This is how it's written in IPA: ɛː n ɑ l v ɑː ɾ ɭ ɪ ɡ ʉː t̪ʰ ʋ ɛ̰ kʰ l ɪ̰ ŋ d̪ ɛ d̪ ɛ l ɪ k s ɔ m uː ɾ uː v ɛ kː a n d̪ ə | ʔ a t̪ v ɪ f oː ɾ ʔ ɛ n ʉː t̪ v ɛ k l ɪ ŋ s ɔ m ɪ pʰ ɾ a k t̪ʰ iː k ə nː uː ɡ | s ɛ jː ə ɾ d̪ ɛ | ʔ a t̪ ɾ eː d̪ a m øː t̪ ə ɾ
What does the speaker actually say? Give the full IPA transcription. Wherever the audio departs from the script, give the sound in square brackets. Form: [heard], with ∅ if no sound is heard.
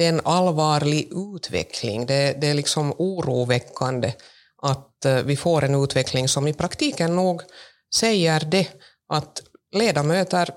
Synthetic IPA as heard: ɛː n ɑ l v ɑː ɾ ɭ ɪ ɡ ʉː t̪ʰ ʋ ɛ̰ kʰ l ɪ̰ ŋ d̪ ɛ d̪ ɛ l ɪ k s ɔ m uː ɾ uː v ɛ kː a n d̪ ə | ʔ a t̪ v ɪ f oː ɾ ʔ ɛ n ʉː t̪ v ɛ k l ɪ ŋ s ɔ m ɪ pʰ ɾ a k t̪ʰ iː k ə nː uː ɡ | s ɛ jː ə ɾ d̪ ɛ | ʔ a t̪ [l] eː d̪ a m øː t̪ ə ɾ